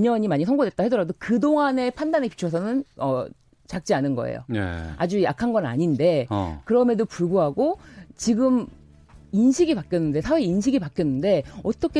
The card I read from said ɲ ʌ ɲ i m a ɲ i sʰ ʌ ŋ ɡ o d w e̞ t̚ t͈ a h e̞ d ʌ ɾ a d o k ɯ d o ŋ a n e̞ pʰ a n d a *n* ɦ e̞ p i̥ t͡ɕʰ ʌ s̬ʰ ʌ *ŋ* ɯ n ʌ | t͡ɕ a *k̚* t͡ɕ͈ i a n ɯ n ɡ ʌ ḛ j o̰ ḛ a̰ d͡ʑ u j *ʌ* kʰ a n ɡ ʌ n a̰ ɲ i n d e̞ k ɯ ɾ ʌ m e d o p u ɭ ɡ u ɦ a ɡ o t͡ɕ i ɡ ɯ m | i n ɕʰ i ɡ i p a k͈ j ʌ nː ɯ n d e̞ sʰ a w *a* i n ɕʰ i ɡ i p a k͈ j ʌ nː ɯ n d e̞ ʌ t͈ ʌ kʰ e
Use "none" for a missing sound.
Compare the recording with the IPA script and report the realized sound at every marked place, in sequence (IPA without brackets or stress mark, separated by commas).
n, n, k̚, a, e